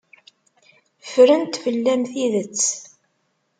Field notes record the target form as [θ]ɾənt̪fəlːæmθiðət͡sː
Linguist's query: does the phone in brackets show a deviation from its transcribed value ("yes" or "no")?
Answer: yes